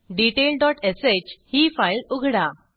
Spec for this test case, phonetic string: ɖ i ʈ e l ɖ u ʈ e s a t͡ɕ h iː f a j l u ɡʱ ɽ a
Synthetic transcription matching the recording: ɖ i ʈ e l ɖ ɔ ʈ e s e t͡ɕ h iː f a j l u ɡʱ ɽ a